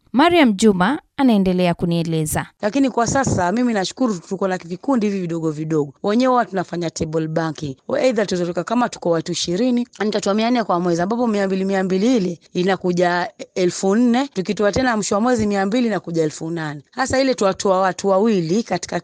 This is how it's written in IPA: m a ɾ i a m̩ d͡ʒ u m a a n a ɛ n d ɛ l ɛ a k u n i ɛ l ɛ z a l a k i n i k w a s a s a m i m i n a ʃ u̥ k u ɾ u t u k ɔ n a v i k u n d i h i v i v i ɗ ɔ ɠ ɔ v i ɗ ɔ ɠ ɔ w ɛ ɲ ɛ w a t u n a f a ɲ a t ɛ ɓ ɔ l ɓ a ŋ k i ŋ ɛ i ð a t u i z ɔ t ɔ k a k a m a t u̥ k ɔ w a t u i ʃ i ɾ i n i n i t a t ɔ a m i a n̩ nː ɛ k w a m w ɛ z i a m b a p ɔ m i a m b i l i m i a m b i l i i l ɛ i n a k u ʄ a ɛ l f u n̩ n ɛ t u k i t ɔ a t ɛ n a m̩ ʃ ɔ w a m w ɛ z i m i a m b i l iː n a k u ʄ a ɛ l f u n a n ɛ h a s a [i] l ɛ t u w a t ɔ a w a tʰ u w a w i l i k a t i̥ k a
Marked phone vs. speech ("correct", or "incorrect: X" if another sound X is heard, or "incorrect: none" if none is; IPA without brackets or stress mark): correct